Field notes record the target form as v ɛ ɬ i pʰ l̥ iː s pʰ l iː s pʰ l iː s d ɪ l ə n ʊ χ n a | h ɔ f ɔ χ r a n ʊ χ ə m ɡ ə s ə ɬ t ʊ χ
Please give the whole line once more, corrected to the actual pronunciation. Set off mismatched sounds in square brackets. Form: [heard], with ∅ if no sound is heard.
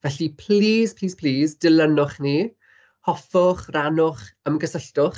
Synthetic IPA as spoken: v ɛ ɬ i pʰ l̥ iː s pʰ l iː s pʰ l iː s d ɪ l ə n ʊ χ n [i] | h ɔ f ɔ χ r a n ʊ χ ə m ɡ ə s ə ɬ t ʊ χ